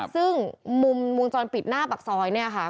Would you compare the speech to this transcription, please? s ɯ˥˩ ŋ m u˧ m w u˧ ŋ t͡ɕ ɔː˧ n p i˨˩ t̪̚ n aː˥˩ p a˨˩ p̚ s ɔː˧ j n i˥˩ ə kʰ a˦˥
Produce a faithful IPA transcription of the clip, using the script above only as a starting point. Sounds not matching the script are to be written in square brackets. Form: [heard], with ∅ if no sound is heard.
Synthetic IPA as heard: s ɯ˥˩ ŋ m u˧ m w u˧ ŋ t͡ɕ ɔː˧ n p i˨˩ t̪̚ n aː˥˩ p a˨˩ [k̚] s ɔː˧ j n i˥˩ [ɐ] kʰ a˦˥